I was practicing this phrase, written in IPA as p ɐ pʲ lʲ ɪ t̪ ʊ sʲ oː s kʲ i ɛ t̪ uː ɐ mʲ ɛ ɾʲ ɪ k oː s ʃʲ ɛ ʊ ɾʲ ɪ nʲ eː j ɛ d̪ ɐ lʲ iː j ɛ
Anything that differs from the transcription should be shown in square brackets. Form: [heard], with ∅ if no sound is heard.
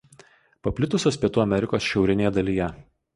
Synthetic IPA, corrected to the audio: p ɐ pʲ lʲ ɪ t̪ ʊ sʲ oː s [pʲ] i ɛ t̪ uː ɐ mʲ ɛ ɾʲ ɪ k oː s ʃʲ ɛ ʊ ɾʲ ɪ nʲ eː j ɛ d̪ ɐ lʲ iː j ɛ